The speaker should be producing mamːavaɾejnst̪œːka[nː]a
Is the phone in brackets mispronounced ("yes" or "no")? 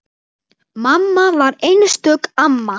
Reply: yes